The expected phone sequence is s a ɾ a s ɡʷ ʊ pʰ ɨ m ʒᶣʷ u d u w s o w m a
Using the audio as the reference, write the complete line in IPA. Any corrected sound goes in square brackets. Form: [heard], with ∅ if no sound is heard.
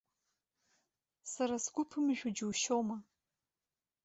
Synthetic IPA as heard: s a ɾ a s ɡʷ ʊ pʰ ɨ m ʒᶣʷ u [d͡ʒ] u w [ʃ] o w m a